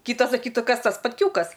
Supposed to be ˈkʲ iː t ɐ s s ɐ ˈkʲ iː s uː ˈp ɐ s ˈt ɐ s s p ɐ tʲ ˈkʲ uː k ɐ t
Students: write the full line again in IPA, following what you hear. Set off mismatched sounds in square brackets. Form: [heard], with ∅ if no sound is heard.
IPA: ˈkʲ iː t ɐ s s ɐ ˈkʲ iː [t] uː [ˈk] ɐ s ˈt ɐ s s p ɐ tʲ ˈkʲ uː k ɐ [s]